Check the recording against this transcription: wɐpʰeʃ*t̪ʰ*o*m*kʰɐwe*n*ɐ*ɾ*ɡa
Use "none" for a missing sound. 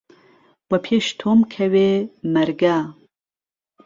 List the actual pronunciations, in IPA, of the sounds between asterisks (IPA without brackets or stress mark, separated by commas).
t̪ʰ, m, m, ɾ